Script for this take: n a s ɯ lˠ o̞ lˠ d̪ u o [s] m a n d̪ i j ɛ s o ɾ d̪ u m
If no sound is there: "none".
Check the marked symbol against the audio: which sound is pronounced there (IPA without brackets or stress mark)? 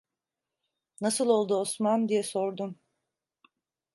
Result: s